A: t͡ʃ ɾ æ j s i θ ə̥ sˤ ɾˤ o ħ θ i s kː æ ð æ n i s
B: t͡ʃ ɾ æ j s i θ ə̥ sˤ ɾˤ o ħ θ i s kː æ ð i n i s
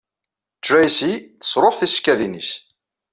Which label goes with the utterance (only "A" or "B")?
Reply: B